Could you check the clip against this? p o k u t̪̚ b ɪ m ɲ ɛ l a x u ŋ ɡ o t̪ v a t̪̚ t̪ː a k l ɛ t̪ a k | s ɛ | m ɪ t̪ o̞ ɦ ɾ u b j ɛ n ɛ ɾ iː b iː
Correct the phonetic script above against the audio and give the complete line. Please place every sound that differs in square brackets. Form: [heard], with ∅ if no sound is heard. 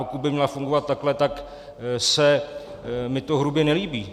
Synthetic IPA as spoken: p o k u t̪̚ b ɪ m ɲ ɛ l a [f] u ŋ ɡ o [∅] v a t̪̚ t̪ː a k l ɛ t̪ a k | s ɛ | m ɪ t̪ o̞ ɦ ɾ u b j ɛ n ɛ [l] iː b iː